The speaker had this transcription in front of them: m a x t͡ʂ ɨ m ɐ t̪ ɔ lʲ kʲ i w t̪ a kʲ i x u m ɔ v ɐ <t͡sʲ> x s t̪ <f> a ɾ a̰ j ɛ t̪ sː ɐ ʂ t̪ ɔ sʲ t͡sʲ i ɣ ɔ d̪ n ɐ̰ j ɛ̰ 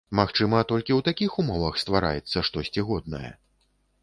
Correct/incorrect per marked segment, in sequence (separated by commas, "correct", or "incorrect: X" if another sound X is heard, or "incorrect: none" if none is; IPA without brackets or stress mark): incorrect: none, incorrect: v